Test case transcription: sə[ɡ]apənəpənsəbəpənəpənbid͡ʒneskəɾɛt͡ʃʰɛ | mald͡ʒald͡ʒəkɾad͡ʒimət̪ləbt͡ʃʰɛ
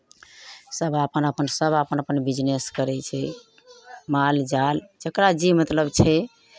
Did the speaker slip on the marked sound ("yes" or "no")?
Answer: yes